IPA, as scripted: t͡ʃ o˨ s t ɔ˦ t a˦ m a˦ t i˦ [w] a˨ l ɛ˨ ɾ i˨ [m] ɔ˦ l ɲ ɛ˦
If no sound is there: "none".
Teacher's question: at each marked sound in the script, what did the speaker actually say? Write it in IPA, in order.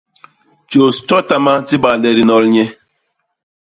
b, n

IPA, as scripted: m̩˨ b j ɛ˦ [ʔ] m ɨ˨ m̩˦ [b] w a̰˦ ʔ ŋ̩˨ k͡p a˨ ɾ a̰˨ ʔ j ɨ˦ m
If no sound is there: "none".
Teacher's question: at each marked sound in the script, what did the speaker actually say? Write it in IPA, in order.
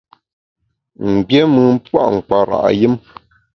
none, p

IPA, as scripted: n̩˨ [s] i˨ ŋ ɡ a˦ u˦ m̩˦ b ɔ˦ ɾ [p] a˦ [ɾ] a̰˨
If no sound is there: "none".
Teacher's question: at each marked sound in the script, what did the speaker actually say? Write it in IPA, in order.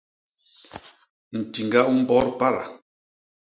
t, p, ɾ

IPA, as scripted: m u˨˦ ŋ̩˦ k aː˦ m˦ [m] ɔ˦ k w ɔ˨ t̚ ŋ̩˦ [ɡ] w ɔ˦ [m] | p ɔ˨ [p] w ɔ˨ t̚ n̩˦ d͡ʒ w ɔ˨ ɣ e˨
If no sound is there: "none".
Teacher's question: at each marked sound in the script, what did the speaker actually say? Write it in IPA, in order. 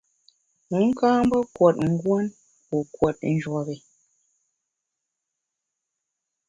b, ɡ, n, k

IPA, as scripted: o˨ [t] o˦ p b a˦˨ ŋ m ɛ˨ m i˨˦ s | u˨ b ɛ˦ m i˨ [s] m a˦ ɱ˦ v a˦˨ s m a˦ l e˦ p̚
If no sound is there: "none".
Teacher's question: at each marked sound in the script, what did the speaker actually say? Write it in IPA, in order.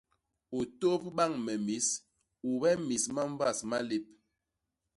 t, s

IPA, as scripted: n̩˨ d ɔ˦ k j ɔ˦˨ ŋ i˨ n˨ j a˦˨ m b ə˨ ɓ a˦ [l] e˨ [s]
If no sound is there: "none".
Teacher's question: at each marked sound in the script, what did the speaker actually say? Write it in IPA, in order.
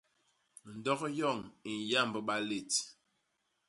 l, t

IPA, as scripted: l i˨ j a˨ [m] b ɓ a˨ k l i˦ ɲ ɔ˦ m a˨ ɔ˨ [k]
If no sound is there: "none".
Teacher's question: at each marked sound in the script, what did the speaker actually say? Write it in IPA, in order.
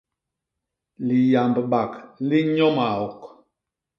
m, k

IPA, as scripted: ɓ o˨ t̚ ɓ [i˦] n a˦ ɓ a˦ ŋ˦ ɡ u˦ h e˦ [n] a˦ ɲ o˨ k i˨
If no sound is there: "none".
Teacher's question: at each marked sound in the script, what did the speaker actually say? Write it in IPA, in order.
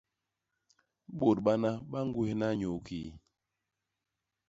a˦, n

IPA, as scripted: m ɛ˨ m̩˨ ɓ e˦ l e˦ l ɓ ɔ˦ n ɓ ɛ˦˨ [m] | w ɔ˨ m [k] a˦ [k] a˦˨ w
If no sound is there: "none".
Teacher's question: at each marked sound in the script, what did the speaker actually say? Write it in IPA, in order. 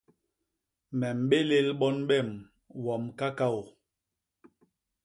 m, k, k

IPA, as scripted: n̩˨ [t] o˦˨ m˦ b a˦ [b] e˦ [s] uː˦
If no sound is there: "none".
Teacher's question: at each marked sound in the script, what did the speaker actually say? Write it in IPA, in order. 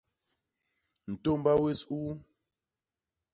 t, w, s

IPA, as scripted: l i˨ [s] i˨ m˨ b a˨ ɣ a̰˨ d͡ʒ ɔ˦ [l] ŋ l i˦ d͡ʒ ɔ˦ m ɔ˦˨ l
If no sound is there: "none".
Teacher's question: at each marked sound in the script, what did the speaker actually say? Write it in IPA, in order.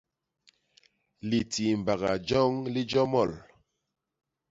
t, none

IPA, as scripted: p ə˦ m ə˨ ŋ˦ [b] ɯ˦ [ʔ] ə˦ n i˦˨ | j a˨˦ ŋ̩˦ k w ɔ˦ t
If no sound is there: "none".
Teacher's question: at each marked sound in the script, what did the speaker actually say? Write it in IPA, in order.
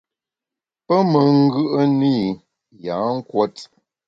ɡ, ʔ

